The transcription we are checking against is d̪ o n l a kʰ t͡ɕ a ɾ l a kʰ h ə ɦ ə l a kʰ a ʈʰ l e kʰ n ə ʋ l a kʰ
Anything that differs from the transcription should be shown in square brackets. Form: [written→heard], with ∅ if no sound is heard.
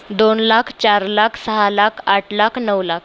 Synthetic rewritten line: d̪ o n l a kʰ t͡ɕ a ɾ l a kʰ [h→s] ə ɦ [ə→a] l a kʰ a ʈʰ l [e→a] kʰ n ə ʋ l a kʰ